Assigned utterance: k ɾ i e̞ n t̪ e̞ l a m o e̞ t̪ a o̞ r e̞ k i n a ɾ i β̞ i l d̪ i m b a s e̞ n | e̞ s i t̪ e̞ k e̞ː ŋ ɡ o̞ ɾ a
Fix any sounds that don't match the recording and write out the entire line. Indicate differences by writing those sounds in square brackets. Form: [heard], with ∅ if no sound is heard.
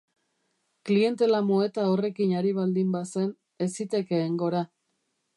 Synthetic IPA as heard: k [l] i e̞ n t̪ e̞ l a m o e̞ t̪ a o̞ r e̞ k i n a ɾ i β̞ [a] l d̪ i m b a s e̞ n | e̞ s i t̪ e̞ k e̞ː ŋ ɡ o̞ ɾ a